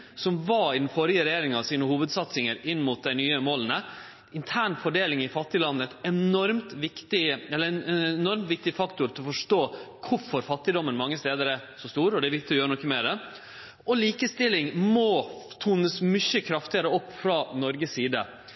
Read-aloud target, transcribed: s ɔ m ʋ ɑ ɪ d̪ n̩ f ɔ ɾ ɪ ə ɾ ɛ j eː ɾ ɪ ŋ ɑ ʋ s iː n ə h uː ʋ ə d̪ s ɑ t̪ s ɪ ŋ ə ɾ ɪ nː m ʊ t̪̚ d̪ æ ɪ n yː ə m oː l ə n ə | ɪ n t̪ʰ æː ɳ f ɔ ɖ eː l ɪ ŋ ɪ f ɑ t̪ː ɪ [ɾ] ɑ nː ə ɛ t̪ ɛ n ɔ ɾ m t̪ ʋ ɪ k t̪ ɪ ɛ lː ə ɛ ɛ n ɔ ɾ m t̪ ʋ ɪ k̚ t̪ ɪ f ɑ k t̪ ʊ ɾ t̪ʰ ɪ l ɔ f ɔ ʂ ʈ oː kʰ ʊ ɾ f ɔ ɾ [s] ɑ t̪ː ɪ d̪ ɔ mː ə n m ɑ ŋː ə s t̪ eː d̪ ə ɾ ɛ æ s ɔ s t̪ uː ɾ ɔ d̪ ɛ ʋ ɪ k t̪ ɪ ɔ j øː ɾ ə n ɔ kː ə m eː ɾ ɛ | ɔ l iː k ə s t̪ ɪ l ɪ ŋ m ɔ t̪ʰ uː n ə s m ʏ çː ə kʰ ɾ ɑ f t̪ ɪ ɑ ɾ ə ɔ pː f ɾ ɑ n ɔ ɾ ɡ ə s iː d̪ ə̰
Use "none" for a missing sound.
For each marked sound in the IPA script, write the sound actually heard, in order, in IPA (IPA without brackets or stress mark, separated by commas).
l, f